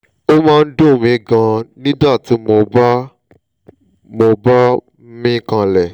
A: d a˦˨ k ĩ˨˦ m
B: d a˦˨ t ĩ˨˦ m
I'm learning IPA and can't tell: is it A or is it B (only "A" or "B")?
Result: B